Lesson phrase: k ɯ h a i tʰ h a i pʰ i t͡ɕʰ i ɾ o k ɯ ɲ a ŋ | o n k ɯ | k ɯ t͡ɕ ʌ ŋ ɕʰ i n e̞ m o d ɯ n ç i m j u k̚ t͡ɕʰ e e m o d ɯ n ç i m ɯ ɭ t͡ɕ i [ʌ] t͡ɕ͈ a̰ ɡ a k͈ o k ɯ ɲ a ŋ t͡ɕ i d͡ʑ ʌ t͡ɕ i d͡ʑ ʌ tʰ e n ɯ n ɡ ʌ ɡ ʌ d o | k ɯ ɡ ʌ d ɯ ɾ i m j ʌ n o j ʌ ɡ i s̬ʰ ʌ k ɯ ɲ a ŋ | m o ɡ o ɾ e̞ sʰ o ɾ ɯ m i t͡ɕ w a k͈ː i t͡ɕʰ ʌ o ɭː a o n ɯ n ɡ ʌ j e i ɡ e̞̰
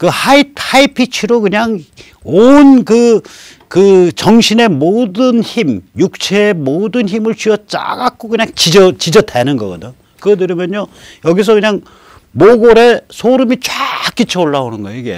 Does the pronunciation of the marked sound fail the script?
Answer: no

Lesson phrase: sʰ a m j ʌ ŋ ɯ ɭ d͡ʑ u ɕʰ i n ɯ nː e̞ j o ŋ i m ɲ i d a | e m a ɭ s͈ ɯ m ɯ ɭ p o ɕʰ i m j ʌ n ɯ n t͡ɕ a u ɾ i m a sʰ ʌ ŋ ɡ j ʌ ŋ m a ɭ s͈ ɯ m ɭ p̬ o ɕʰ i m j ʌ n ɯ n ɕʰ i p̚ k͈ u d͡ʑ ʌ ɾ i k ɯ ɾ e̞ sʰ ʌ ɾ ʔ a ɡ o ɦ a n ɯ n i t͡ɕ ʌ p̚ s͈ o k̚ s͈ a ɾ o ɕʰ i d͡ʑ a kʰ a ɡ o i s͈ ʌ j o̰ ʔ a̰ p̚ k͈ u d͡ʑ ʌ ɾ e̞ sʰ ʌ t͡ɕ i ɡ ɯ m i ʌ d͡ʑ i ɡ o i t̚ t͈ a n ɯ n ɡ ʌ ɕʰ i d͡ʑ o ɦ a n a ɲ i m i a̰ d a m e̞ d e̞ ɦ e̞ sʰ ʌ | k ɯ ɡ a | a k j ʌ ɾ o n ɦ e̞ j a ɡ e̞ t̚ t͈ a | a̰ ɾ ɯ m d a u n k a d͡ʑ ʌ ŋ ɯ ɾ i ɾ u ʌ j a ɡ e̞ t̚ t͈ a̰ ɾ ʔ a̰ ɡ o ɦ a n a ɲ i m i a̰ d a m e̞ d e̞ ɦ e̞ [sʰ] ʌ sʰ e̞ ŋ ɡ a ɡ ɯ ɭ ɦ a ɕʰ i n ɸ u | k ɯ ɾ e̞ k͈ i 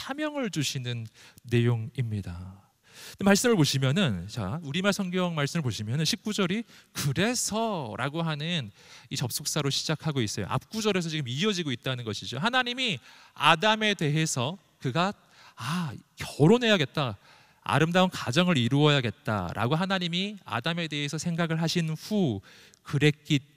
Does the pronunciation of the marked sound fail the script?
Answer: no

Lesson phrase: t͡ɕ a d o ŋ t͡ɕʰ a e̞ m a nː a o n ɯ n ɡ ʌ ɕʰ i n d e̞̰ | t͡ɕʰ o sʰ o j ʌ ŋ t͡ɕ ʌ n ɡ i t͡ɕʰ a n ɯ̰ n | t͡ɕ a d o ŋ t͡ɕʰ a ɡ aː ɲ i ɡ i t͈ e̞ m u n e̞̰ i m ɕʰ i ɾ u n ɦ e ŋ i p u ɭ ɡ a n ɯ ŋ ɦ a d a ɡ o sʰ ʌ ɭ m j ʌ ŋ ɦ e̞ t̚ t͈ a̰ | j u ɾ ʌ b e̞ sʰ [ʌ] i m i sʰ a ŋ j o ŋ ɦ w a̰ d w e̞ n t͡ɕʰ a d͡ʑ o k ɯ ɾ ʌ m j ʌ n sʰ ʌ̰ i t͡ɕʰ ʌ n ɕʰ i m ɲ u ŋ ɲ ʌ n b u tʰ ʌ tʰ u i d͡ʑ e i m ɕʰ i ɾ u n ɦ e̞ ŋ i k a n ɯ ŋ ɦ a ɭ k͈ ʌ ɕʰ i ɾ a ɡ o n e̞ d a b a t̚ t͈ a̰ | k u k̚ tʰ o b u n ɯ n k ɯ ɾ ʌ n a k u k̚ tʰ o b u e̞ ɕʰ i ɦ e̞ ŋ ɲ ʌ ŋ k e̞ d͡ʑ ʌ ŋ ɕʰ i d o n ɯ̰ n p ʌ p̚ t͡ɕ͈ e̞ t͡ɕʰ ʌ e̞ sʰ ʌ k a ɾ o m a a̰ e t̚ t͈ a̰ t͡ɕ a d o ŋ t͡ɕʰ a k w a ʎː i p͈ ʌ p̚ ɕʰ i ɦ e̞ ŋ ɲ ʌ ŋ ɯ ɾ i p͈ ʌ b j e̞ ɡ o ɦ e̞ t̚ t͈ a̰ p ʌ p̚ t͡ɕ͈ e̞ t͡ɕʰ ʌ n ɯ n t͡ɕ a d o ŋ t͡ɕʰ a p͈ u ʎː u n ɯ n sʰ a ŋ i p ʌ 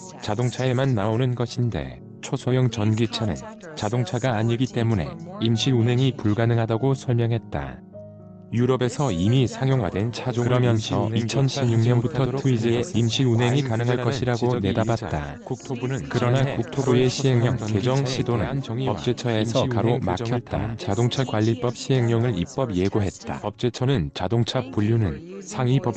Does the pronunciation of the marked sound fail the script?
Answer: no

